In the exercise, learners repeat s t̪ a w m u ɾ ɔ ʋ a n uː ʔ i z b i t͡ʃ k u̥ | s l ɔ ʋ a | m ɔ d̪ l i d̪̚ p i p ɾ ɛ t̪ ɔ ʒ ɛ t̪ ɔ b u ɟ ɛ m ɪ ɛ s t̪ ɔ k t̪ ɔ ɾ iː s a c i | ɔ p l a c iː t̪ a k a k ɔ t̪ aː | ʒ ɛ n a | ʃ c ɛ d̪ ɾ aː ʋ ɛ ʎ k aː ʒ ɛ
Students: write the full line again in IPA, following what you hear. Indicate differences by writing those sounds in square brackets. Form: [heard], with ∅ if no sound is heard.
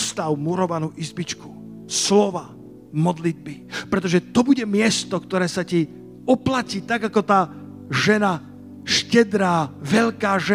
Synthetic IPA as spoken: s t̪ a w m u ɾ ɔ ʋ a n uː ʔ i z b i t͡ʃ k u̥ | s l ɔ ʋ a | m ɔ d̪ l i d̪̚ [b] i p ɾ ɛ t̪ ɔ ʒ ɛ t̪ ɔ b u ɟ ɛ m ɪ ɛ s t̪ ɔ k t̪ ɔ ɾ [ɛː] s a c i | ɔ p l a c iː t̪ a [ɡ] a k ɔ t̪ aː | ʒ ɛ n a | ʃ c ɛ d̪ ɾ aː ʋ ɛ ʎ k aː ʒ ɛ